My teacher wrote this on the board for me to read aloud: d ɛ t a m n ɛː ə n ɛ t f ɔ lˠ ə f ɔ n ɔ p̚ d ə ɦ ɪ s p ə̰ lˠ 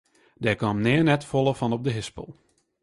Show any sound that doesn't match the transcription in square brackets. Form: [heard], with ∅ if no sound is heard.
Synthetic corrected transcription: d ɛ [k] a m n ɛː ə n ɛ t f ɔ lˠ ə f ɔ n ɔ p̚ d ə ɦ ɪ s p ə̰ lˠ